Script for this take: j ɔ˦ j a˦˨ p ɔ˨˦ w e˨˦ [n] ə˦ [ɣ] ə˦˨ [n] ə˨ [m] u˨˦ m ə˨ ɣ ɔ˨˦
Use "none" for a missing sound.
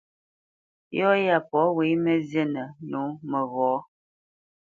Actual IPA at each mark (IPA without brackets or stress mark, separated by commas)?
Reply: m, z, n, n